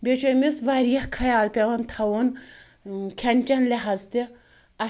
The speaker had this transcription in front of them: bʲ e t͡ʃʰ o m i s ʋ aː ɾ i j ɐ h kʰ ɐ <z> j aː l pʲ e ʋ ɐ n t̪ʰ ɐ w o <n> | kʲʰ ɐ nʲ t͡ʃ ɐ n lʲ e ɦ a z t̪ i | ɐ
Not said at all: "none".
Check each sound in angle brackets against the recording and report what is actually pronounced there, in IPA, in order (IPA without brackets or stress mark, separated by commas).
none, n